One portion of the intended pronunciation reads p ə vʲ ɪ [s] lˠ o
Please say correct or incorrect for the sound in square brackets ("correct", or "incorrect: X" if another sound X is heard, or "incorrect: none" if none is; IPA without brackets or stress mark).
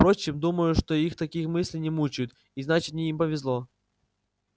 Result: incorrect: z